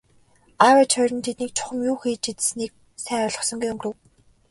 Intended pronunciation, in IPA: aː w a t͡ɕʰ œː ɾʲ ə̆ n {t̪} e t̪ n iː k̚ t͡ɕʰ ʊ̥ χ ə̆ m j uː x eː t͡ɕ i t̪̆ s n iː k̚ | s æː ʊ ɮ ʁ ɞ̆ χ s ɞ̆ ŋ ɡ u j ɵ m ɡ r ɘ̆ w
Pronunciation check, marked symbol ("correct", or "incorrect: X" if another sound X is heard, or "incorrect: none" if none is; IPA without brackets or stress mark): incorrect: t̪ʰ